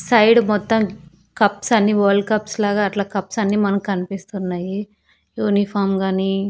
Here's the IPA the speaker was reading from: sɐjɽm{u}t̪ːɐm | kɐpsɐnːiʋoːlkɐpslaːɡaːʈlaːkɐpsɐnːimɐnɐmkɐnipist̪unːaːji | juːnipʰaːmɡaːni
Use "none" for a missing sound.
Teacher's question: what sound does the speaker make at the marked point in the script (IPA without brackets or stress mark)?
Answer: ɔ